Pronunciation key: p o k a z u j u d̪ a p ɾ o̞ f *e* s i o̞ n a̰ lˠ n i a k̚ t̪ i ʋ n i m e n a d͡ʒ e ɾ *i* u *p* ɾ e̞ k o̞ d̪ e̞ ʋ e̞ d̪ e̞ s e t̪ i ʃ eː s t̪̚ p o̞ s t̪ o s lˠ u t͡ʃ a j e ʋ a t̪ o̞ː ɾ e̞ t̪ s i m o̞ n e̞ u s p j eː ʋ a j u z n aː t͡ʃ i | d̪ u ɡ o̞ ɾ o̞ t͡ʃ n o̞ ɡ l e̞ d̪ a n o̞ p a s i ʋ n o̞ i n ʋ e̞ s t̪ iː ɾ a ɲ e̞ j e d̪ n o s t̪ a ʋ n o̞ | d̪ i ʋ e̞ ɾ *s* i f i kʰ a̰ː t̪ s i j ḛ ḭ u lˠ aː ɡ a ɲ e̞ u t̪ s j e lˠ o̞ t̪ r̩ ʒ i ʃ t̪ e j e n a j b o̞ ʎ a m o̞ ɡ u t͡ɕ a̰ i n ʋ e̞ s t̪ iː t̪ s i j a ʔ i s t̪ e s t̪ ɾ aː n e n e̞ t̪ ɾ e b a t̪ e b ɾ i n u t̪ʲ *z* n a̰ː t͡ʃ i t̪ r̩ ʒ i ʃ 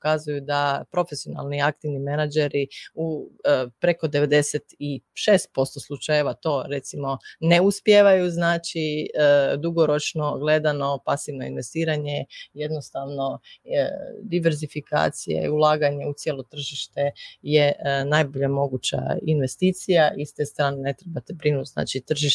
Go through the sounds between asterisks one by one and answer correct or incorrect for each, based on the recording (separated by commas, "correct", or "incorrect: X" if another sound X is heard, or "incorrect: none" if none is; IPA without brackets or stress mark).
correct, correct, correct, incorrect: z, correct